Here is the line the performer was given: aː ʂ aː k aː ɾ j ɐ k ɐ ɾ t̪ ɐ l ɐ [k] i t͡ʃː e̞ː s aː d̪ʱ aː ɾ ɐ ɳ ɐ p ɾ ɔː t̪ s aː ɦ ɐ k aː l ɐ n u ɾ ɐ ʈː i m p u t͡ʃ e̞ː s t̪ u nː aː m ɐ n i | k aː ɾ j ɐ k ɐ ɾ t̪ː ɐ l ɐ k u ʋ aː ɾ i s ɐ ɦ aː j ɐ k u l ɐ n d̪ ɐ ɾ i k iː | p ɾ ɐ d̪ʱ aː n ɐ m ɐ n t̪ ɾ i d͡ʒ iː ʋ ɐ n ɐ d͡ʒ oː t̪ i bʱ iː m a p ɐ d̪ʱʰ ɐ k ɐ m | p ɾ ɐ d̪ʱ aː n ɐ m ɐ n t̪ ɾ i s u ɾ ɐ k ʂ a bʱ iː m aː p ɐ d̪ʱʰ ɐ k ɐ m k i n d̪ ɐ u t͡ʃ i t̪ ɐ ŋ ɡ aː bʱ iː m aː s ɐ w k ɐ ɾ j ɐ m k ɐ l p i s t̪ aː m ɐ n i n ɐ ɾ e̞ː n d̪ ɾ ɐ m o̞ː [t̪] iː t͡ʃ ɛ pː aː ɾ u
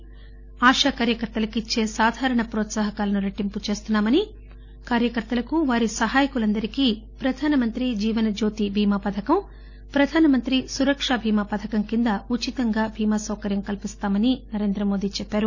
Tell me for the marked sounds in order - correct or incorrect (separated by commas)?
correct, incorrect